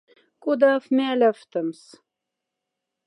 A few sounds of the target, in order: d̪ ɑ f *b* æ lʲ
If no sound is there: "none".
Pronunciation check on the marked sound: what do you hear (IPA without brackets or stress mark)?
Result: m